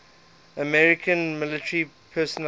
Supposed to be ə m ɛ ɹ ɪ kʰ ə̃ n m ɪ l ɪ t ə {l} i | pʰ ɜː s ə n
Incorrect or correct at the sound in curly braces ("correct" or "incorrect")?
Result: incorrect